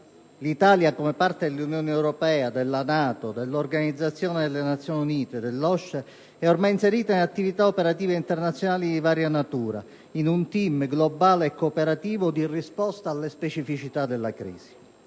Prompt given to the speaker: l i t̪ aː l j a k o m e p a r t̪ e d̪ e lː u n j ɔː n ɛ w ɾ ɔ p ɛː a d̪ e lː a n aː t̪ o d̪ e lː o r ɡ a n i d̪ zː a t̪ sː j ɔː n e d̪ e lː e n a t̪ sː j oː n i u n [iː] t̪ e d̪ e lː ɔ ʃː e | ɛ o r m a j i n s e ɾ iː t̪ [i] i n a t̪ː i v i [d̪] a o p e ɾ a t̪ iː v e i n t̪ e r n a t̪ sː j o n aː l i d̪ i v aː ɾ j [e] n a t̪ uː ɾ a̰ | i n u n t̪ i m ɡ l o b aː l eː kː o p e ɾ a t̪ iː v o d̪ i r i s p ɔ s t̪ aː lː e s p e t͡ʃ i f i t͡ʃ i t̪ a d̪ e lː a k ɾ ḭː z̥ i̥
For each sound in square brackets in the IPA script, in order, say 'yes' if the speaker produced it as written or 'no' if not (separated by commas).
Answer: yes, no, no, no